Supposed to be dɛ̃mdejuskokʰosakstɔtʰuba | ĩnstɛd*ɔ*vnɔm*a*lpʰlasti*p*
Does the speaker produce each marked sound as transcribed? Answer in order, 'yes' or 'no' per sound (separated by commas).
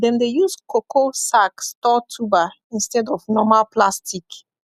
yes, yes, no